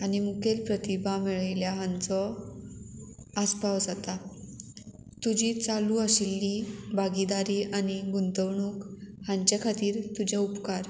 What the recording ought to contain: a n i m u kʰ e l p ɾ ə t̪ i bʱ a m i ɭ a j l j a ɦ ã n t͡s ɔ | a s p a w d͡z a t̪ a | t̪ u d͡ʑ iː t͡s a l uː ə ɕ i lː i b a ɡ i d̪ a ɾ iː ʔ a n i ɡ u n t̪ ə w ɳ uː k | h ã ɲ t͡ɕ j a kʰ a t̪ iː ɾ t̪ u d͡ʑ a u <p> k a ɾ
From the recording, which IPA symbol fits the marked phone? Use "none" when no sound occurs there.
p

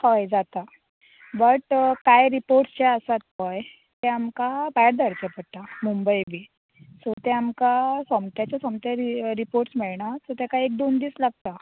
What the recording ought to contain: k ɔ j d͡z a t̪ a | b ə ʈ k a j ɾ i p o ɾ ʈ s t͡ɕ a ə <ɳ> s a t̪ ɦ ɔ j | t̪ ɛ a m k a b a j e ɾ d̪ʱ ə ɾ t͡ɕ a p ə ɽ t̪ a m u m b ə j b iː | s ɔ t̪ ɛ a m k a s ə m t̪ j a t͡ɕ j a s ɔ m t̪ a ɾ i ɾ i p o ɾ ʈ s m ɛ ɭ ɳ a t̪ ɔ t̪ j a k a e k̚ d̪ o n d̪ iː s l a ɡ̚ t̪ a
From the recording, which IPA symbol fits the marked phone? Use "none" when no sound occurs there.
none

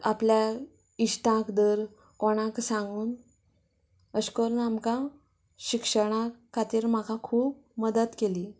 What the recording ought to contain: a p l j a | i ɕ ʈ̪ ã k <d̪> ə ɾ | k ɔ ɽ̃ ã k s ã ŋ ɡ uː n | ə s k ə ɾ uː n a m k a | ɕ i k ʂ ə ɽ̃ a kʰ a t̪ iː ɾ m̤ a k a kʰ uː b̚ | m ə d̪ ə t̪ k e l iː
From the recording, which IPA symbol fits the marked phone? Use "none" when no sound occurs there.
d̪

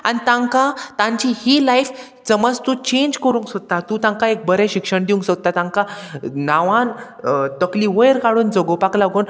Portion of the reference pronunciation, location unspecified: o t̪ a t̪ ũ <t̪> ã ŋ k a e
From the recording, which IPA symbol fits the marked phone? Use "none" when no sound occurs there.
t̪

